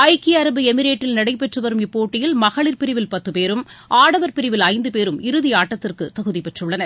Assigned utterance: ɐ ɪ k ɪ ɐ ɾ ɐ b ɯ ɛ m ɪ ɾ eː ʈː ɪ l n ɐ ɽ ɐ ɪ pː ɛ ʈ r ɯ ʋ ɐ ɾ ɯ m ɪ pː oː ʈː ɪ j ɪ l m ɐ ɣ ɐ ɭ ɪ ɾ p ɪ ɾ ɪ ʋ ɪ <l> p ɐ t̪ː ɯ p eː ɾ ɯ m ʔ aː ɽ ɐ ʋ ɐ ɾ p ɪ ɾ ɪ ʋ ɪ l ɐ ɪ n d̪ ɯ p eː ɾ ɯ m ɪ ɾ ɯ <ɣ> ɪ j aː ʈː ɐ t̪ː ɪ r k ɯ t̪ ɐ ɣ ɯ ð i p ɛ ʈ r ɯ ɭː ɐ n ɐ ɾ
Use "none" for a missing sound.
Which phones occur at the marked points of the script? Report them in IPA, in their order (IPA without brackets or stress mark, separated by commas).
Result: l, ð